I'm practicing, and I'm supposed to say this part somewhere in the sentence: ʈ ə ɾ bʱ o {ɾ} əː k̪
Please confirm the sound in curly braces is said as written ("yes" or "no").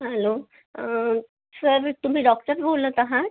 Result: no